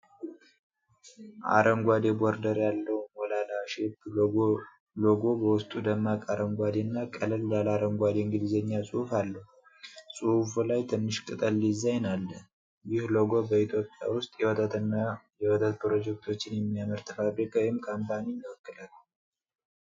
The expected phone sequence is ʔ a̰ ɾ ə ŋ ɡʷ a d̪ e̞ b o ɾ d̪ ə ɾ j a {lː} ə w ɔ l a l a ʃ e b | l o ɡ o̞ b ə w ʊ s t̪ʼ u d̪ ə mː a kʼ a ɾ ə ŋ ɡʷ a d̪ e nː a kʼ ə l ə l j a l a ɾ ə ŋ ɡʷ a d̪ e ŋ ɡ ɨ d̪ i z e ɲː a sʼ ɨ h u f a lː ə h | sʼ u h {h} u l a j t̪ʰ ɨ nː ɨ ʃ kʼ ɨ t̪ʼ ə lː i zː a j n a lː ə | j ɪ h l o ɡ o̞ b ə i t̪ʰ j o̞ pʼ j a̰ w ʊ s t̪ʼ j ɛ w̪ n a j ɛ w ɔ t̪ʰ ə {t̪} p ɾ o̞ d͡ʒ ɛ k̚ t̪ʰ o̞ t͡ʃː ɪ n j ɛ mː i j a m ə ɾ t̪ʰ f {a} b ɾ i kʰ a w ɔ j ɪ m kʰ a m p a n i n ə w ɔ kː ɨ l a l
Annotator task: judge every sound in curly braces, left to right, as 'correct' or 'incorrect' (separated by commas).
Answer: correct, incorrect, correct, correct